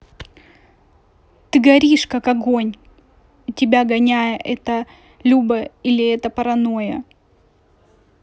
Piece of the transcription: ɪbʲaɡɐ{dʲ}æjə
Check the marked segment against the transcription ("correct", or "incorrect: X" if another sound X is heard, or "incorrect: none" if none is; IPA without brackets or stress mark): incorrect: nʲ